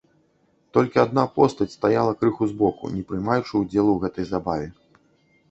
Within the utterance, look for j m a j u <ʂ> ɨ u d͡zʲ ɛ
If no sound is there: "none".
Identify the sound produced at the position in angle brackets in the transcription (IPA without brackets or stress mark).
t͡ʂ